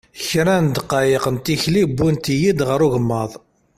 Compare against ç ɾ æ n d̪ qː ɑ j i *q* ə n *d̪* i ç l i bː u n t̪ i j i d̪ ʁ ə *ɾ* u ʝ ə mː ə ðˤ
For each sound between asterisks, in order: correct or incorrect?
correct, incorrect: t̪, correct

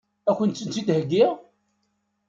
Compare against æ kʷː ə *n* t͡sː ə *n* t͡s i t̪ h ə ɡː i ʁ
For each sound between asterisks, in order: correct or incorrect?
correct, correct

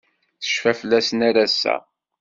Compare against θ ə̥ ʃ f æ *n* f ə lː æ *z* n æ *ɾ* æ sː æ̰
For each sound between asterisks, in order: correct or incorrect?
incorrect: none, incorrect: s, correct

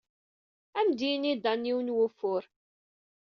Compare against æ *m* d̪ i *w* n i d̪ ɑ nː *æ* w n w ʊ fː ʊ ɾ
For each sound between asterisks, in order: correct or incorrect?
correct, incorrect: none, incorrect: i

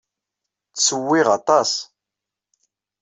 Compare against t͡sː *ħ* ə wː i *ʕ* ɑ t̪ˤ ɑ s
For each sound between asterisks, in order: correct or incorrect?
incorrect: s, incorrect: ʁ

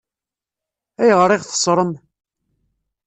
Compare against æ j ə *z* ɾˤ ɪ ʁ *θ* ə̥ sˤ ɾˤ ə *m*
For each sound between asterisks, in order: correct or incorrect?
incorrect: ʁ, correct, correct

